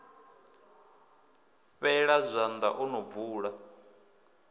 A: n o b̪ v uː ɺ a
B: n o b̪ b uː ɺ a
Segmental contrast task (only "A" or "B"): A